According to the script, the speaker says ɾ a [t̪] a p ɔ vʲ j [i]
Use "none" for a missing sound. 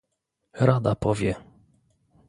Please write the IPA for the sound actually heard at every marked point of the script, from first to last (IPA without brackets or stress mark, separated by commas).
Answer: d̪, ɛ